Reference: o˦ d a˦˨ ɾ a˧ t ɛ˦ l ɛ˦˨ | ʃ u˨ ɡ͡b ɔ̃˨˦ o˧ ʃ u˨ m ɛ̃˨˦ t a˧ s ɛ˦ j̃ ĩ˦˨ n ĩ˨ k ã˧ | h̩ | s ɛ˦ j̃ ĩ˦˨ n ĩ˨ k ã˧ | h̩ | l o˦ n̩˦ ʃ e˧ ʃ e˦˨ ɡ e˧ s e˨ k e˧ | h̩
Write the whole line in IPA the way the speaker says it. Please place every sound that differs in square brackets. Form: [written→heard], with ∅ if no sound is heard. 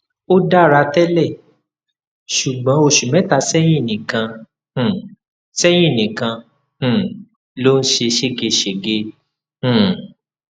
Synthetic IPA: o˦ d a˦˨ ɾ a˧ t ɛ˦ l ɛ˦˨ | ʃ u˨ ɡ͡b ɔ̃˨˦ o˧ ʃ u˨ m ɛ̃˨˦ t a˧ s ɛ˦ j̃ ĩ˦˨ n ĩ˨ k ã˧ | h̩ | s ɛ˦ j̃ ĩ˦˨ n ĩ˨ k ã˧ | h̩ | l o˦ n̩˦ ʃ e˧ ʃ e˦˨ ɡ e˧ [s→ʃ] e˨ [k→ɡ] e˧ | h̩